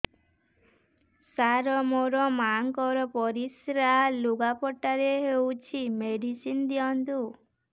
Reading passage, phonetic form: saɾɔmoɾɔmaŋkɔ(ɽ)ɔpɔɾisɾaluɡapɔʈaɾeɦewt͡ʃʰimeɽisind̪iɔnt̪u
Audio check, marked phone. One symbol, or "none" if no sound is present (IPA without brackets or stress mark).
ɾ